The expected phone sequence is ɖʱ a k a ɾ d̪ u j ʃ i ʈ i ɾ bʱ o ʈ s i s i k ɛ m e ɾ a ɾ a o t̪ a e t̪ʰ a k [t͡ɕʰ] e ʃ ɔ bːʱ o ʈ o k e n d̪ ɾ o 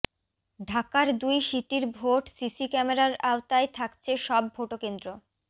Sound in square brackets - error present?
no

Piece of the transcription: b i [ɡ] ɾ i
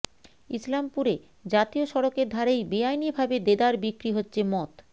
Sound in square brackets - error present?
yes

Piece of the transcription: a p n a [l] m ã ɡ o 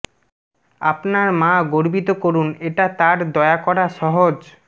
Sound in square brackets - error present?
yes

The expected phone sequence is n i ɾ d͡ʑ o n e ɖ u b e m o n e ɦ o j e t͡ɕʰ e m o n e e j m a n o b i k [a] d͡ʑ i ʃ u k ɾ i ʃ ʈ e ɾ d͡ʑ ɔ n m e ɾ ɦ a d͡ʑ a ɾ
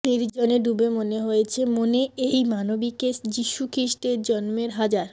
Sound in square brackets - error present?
yes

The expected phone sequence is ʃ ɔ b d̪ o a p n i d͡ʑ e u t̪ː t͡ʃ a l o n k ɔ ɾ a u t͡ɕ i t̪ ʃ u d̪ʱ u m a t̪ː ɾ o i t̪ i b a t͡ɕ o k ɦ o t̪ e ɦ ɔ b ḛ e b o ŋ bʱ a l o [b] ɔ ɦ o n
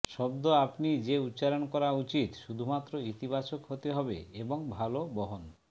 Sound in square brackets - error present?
no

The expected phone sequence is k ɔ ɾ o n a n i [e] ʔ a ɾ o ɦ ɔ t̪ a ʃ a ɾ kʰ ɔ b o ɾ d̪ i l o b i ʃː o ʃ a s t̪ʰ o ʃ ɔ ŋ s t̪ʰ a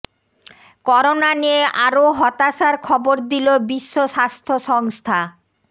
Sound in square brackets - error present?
no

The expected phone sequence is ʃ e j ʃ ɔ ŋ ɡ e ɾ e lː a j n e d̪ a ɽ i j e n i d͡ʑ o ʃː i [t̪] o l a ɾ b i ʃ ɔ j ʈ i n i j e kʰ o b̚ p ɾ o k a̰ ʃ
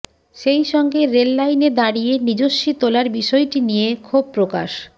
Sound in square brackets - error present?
no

